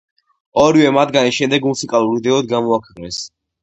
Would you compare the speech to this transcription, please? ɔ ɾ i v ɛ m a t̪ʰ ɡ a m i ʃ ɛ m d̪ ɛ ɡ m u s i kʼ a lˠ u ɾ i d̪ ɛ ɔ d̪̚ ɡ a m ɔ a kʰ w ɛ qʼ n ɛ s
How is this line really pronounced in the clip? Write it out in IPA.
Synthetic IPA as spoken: ɔ ɾ i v ɛ m a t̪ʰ ɡ a n i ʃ ɛ m d̪ ɛ ɡ m u s i kʼ a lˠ u ɾ i d̪ ɛ ɔ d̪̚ ɡ a m ɔ a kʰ w ɛ qʼ n ɛ s